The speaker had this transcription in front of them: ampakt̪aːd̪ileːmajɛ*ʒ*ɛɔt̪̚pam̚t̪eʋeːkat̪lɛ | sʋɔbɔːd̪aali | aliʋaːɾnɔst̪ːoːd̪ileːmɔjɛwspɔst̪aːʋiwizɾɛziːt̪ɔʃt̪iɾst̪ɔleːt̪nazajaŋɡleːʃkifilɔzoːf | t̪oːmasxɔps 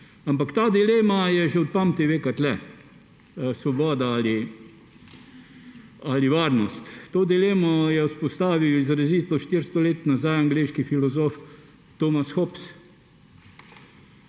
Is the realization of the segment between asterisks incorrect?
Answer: no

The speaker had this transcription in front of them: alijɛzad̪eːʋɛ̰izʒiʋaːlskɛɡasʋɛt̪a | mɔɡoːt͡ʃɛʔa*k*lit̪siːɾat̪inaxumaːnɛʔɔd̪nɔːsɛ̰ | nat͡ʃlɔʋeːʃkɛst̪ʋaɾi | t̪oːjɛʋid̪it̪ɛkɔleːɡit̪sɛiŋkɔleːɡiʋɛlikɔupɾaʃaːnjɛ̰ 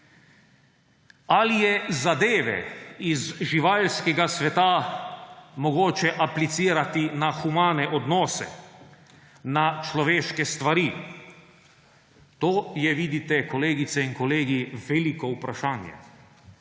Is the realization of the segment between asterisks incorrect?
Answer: yes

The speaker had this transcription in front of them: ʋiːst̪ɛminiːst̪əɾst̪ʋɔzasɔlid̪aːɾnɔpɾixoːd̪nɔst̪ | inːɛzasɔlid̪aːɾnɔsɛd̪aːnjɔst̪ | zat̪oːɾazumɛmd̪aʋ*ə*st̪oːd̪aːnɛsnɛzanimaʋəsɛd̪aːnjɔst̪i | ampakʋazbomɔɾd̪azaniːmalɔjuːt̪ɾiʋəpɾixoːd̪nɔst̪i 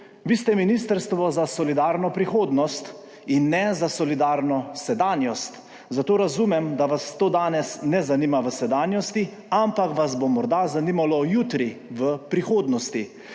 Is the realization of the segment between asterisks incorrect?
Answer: yes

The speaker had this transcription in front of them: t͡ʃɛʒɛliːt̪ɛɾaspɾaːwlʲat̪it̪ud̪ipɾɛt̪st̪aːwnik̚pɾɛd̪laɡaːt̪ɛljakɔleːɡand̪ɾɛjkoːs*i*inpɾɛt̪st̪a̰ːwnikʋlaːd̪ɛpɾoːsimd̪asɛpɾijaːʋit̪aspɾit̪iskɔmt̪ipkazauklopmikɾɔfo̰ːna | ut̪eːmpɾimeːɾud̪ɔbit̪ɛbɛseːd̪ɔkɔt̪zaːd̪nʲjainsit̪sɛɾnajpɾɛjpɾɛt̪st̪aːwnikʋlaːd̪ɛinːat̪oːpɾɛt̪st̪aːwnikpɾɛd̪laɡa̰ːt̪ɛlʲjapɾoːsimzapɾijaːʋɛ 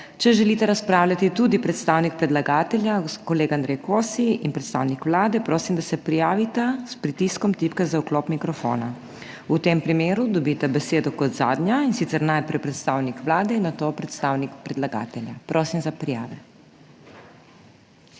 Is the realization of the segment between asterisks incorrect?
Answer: no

